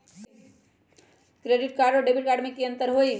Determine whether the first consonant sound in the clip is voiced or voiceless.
voiceless